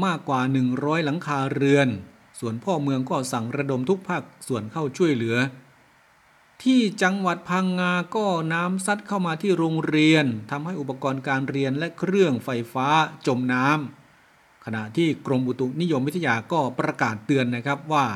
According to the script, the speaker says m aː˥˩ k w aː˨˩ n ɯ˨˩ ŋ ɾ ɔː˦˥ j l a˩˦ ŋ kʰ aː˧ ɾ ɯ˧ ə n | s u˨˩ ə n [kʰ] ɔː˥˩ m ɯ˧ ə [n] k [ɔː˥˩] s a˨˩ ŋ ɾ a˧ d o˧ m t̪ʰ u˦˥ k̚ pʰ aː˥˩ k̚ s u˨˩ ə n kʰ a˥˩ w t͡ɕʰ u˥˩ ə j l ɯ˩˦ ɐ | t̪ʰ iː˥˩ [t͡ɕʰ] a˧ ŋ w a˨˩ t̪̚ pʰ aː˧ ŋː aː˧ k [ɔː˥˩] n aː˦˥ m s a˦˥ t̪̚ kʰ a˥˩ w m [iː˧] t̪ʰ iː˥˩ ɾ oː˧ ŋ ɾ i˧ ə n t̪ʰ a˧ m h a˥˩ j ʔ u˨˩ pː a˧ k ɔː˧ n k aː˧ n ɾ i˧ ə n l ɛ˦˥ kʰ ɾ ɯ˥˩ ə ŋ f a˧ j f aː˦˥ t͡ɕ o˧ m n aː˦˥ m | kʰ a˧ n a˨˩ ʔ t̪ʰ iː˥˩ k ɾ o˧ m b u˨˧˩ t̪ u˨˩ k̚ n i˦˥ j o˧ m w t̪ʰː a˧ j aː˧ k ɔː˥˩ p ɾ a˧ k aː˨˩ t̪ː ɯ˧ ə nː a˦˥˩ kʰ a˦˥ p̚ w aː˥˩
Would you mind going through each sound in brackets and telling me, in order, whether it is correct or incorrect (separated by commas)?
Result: incorrect, incorrect, correct, incorrect, correct, incorrect